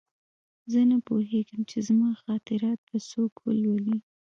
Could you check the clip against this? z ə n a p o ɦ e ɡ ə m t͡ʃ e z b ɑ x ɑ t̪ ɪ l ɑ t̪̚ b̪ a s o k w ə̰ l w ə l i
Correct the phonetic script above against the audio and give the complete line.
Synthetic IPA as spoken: z ə n a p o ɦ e ɡ ə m t͡ʃ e z m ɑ x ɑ t̪ ɪ ɾ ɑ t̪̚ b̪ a s o k w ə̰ l w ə l i